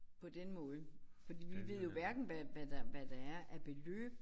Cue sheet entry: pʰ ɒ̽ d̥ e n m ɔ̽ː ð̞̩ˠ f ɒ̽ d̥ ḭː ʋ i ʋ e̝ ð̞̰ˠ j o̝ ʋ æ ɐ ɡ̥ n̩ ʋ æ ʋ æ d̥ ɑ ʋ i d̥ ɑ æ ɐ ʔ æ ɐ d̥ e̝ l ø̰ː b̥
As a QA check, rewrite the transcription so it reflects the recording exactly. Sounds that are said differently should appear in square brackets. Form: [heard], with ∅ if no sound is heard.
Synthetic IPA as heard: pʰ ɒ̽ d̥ e n m ɔ̽ː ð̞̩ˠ f ɒ̽ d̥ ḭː ʋ i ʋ e̝ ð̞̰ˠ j o̝ ʋ æ ɐ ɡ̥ n̩ ʋ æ ʋ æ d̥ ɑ ʋ [æ] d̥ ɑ æ ɐ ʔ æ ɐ [b̥] e̝ l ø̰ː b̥